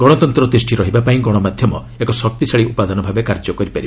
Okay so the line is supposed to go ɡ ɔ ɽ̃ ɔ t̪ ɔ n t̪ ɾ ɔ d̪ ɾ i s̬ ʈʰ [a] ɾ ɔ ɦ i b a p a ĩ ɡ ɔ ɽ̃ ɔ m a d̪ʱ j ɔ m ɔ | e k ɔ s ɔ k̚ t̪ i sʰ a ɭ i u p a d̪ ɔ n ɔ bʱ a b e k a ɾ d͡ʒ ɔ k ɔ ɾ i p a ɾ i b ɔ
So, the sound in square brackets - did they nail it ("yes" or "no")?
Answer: no